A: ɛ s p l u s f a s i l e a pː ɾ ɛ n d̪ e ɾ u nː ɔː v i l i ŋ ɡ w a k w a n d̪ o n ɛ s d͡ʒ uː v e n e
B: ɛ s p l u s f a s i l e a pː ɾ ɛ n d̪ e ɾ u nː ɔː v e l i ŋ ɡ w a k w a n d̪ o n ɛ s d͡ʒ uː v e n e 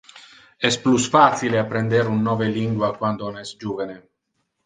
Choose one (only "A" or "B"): B